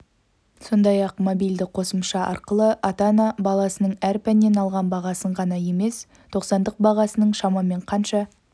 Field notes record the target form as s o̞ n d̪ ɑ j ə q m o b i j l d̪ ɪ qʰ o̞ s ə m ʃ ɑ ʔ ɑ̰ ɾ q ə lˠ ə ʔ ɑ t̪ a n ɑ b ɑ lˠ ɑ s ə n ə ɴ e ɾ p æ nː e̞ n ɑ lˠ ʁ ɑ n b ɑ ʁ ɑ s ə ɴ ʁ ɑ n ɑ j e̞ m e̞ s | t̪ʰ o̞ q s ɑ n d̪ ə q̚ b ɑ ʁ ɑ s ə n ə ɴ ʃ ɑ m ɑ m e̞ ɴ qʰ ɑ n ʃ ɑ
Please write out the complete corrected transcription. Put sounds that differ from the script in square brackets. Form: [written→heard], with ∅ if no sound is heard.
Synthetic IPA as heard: s o̞ n d̪ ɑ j [ə→ɑ] q m o b i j l d̪ ɪ qʰ o̞ s ə m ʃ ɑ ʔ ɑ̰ ɾ q ə lˠ ə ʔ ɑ t̪ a n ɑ b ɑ lˠ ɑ s ə n ə ɴ [e→æ] ɾ p æ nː e̞ n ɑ lˠ ʁ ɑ n b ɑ ʁ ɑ s ə ɴ ʁ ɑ n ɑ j e̞ m e̞ s | t̪ʰ o̞ q s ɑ n d̪ ə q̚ b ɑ ʁ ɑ s ə n ə ɴ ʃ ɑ m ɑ m e̞ ɴ qʰ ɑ n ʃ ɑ